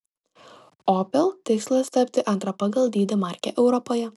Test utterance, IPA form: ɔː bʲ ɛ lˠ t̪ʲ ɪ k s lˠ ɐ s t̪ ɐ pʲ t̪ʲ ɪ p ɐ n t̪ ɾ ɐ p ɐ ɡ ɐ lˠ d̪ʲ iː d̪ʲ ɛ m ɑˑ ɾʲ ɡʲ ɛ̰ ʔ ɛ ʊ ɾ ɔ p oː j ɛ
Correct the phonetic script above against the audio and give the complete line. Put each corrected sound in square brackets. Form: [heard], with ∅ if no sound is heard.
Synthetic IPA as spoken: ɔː [pʲ] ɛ lˠ t̪ʲ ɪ k s lˠ ɐ s t̪ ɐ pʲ t̪ʲ ɪ [ʔ] ɐ n t̪ ɾ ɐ p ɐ ɡ ɐ lˠ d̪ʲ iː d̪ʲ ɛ m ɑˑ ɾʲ [kʲ] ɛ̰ ʔ ɛ ʊ ɾ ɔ p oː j ɛ

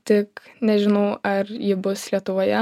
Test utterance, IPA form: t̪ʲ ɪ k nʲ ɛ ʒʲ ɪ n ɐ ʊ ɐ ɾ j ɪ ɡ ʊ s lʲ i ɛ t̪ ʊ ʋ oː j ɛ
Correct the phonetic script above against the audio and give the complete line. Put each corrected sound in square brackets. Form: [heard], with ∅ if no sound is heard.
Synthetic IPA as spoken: t̪ʲ ɪ k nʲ ɛ ʒʲ ɪ n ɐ ʊ ɐ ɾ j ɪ [b] ʊ s lʲ i ɛ t̪ ʊ ʋ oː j ɛ

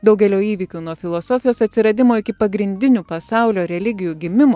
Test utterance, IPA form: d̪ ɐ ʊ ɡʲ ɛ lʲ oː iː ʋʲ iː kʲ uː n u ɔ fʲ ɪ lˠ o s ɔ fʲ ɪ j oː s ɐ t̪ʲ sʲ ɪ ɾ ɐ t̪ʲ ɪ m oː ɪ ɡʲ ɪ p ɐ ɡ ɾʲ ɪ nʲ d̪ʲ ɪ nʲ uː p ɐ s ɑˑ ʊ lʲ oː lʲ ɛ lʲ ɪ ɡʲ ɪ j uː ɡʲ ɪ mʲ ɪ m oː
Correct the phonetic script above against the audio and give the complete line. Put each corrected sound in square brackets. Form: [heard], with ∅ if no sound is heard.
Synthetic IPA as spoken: d̪ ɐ ʊ ɡʲ ɛ lʲ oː iː ʋʲ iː kʲ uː n u ɔ fʲ ɪ lˠ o s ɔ fʲ ɪ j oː s ɐ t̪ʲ sʲ ɪ ɾ ɐ [d̪ʲ] ɪ m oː ɪ [kʲ] ɪ p ɐ ɡ ɾʲ ɪ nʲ d̪ʲ ɪ nʲ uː p ɐ s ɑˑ ʊ lʲ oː [ɾʲ] ɛ lʲ ɪ ɡʲ ɪ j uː ɡʲ ɪ mʲ ɪ m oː

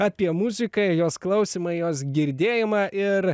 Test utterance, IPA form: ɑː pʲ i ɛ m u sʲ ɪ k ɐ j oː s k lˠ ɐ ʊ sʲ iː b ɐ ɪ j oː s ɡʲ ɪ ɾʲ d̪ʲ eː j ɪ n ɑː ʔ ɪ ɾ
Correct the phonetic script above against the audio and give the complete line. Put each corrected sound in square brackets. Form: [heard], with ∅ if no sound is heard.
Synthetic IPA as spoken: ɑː pʲ i ɛ m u [zʲ] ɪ k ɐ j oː s k lˠ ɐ ʊ sʲ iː [m] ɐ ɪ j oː s ɡʲ ɪ ɾʲ d̪ʲ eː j ɪ [m] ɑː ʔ ɪ ɾ

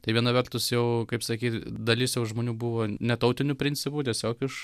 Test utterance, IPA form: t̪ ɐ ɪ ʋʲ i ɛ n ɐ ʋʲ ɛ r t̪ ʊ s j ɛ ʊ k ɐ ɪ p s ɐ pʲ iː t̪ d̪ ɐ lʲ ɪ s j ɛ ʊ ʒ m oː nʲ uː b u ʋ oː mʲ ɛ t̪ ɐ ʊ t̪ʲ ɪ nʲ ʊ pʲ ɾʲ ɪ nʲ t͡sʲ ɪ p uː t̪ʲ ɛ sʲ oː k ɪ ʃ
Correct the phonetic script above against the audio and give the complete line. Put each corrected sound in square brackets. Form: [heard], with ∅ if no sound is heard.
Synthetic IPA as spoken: t̪ ɐ ɪ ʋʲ i ɛ n ɐ ʋʲ ɛ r t̪ ʊ s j ɛ ʊ k ɐ ɪ p s ɐ [kʲ] iː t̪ d̪ ɐ lʲ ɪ s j ɛ ʊ ʒ m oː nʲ uː b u ʋ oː [nʲ] ɛ t̪ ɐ ʊ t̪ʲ ɪ nʲ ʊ pʲ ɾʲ ɪ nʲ t͡sʲ ɪ p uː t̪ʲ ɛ sʲ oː k ɪ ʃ

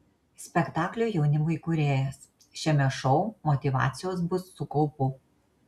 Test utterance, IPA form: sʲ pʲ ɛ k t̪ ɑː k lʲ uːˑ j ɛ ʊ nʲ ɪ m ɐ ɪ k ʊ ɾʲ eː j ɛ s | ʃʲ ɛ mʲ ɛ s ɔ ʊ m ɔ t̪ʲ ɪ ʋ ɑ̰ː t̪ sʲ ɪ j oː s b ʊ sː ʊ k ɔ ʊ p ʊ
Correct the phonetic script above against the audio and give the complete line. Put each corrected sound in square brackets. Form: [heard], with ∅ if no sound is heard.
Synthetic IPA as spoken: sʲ pʲ ɛ k t̪ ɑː k lʲ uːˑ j ɛ ʊ nʲ ɪ m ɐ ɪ k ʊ ɾʲ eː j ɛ s | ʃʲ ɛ mʲ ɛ [ʃ] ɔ ʊ m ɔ t̪ʲ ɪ ʋ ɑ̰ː t̪ sʲ ɪ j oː s b ʊ sː ʊ k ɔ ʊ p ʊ

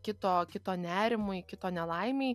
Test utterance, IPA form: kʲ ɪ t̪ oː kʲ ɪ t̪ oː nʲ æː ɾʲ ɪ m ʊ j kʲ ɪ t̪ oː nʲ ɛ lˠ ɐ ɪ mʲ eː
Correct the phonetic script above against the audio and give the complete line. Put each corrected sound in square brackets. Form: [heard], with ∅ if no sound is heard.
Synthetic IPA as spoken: kʲ ɪ t̪ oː kʲ ɪ t̪ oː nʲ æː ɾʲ ɪ m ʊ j kʲ ɪ t̪ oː nʲ ɛ lˠ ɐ ɪ mʲ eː

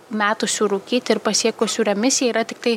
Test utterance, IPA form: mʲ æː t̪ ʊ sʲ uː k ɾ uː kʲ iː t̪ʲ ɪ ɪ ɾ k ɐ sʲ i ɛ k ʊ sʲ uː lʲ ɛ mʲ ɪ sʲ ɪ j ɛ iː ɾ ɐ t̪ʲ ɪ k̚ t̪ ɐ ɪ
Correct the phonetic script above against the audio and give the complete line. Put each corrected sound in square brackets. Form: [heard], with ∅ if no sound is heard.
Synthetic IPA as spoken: mʲ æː t̪ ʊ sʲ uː [∅] ɾ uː kʲ iː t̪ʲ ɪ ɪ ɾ [p] ɐ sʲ i ɛ k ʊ sʲ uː [ɾʲ] ɛ mʲ ɪ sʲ ɪ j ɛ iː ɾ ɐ t̪ʲ ɪ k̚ t̪ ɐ ɪ

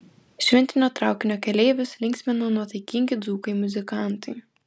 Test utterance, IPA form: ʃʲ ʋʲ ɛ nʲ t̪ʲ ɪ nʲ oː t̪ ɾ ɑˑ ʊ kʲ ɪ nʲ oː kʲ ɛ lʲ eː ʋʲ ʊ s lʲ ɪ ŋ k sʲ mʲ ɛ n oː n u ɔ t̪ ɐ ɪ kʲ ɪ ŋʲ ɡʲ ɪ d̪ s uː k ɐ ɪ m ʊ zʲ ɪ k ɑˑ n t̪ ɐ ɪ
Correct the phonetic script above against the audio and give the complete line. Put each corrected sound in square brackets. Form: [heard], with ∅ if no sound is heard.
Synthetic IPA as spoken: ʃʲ ʋʲ ɛ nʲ t̪ʲ ɪ nʲ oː t̪ ɾ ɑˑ ʊ kʲ ɪ nʲ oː kʲ ɛ lʲ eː ʋʲ ʊ s lʲ ɪ ŋ k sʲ mʲ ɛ n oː n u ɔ t̪ ɐ ɪ kʲ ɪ ŋʲ ɡʲ ɪ d̪ [z] uː k ɐ ɪ m ʊ zʲ ɪ k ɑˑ n t̪ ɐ ɪ

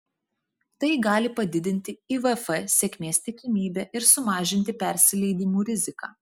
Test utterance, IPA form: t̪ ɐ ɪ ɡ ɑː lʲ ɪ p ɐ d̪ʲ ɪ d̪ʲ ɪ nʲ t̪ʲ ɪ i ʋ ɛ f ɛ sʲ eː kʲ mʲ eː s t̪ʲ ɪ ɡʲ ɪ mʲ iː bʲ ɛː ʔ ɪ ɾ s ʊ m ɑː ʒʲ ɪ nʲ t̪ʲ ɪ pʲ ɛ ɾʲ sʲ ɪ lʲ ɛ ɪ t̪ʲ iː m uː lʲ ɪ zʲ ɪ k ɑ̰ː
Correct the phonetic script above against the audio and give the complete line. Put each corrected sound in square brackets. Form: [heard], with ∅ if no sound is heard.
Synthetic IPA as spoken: t̪ ɐ ɪ ɡ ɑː lʲ ɪ p ɐ d̪ʲ ɪ d̪ʲ ɪ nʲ t̪ʲ ɪ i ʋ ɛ f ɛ sʲ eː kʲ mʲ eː s t̪ʲ ɪ [kʲ] ɪ mʲ iː bʲ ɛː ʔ ɪ ɾ s ʊ m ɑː ʒʲ ɪ nʲ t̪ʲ ɪ pʲ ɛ ɾʲ sʲ ɪ lʲ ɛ ɪ [d̪ʲ] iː m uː [ɾʲ] ɪ zʲ ɪ k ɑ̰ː

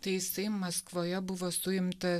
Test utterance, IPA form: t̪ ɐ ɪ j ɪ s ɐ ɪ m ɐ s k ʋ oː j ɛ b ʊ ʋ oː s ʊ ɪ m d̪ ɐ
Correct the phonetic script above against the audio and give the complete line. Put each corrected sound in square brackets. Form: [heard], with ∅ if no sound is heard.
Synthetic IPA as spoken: t̪ ɐ ɪ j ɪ s ɐ ɪ m ɐ s k ʋ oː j ɛ b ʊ ʋ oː s ʊ ɪ m [t̪] ɐ

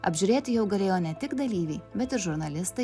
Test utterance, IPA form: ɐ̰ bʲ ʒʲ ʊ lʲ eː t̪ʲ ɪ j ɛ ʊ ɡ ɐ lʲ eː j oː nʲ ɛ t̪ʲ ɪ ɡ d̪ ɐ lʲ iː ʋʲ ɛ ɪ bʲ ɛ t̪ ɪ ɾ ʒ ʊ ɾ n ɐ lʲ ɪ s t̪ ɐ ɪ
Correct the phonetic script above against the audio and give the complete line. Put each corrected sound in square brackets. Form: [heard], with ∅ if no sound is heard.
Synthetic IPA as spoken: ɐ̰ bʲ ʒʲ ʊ [ɾʲ] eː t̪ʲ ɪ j ɛ ʊ ɡ ɐ lʲ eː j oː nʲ ɛ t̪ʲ ɪ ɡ d̪ ɐ lʲ iː ʋʲ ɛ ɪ bʲ ɛ t̪ ɪ ɾ ʒ ʊ ɾ n ɐ lʲ ɪ s t̪ ɐ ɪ

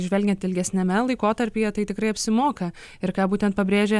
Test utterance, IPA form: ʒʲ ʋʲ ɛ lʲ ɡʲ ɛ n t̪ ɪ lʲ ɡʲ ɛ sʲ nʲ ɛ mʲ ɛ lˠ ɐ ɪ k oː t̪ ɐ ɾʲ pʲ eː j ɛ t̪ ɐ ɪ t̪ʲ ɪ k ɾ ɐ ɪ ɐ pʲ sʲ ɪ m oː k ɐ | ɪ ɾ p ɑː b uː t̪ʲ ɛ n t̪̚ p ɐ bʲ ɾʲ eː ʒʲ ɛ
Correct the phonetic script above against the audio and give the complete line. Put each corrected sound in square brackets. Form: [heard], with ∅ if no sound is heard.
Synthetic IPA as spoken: ʒʲ ʋʲ ɛ lʲ ɡʲ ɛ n t̪ ɪ lʲ ɡʲ ɛ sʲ nʲ ɛ mʲ ɛ lˠ ɐ ɪ k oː t̪ ɐ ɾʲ pʲ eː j ɛ t̪ ɐ ɪ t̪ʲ ɪ k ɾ ɐ ɪ ɐ pʲ sʲ ɪ m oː k ɐ | ɪ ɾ [k] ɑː b uː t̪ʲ ɛ n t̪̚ p ɐ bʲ ɾʲ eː ʒʲ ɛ

